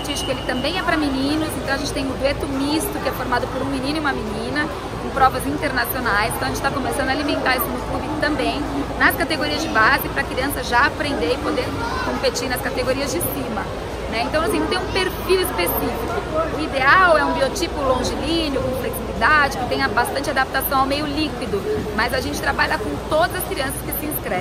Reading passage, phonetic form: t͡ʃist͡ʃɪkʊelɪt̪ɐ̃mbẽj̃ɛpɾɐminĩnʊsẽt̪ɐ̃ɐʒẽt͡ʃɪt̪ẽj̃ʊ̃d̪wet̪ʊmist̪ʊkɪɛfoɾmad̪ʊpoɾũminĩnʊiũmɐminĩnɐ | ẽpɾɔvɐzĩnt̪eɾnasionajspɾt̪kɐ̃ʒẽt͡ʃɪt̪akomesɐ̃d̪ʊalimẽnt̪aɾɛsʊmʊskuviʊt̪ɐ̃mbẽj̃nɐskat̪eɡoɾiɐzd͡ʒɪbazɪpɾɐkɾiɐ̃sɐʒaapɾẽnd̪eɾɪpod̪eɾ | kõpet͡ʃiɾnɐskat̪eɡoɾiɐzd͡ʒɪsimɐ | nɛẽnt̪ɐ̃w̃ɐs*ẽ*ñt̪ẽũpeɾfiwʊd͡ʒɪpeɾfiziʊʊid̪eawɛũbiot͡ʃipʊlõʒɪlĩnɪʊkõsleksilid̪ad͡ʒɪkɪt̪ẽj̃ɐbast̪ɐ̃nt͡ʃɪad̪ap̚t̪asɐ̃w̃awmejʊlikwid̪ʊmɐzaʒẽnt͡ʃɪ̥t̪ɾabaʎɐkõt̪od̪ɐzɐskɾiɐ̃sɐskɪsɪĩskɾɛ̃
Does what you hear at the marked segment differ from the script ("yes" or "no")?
yes